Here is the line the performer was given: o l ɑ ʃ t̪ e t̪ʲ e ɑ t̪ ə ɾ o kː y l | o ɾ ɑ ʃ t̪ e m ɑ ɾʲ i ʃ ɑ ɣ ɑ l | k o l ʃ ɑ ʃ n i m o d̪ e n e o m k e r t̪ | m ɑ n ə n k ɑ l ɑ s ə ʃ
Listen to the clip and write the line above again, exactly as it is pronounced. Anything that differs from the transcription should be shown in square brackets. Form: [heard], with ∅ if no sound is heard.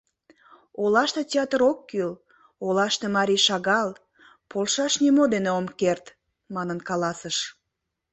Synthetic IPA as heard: o l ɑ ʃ t̪ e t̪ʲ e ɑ t̪ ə ɾ o kː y l | o [l] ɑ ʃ t̪ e m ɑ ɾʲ i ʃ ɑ ɣ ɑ l | [p] o l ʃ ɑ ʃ n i m o d̪ e n e o m k e r t̪ | m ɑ n ə n k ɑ l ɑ s ə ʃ

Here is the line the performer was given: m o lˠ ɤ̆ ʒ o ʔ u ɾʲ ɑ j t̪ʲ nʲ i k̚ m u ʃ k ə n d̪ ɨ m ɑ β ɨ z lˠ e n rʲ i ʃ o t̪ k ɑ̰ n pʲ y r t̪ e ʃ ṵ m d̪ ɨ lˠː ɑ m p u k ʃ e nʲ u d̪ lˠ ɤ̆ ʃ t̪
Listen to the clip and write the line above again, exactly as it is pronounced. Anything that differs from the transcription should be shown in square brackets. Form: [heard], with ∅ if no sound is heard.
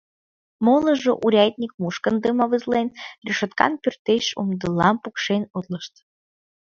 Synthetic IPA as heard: m o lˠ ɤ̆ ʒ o ʔ u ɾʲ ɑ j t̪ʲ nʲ i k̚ m u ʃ k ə n d̪ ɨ m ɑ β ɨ z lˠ e n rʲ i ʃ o t̪ k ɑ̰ n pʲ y r t̪ e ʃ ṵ m d̪ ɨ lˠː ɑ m p u k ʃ e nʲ u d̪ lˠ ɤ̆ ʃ t̪

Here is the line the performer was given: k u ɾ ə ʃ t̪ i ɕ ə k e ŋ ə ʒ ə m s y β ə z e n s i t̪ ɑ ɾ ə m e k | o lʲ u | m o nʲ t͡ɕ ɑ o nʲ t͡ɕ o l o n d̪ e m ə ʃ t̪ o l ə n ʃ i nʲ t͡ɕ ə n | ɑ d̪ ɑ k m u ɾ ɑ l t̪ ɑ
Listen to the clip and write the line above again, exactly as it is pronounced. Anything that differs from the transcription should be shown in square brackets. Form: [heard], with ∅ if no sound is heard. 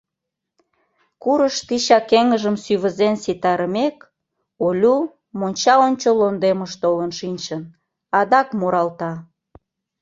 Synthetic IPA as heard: k u ɾ ə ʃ t̪ i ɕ [ɑ] k e ŋ ə ʒ ə m s y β ə z e n s i t̪ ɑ ɾ ə m e k | o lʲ u | m o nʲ t͡ɕ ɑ o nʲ t͡ɕ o l o n d̪ e m ə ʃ t̪ o l ə n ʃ i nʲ t͡ɕ ə n | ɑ d̪ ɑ k m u ɾ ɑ l t̪ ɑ

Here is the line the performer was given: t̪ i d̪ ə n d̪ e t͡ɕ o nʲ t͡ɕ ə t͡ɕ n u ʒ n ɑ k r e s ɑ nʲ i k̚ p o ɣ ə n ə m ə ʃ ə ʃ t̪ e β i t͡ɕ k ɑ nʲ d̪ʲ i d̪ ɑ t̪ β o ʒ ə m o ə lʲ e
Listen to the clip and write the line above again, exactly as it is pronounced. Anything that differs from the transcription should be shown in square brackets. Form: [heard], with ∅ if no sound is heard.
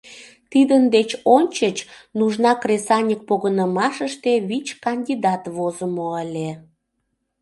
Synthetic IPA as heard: t̪ i d̪ ə n d̪ e t͡ɕ o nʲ t͡ɕ ə t͡ɕ n u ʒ n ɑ k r e s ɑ nʲ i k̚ p o ɣ ə n ə m [ɑ] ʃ ə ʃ t̪ e β i t͡ɕ k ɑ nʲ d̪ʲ i d̪ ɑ t̪ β o [z] ə m o ə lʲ e

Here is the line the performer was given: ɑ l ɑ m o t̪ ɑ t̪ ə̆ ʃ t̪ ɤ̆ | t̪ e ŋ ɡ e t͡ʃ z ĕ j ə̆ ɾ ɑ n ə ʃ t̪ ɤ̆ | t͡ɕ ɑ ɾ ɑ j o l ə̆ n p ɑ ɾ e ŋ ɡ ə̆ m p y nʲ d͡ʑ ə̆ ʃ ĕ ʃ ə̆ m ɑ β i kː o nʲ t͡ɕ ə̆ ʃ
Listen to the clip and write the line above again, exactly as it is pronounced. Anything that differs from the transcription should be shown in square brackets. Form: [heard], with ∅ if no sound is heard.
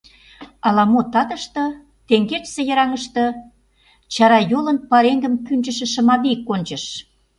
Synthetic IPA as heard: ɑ l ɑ m o t̪ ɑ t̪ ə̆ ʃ t̪ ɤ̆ | t̪ e ŋ ɡ e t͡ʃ [s] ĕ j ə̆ ɾ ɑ [ŋ] ə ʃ t̪ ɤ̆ | t͡ɕ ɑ ɾ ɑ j o l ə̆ n p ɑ ɾ e ŋ ɡ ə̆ m [k] y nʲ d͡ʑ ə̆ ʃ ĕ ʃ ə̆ m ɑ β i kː o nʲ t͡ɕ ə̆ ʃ

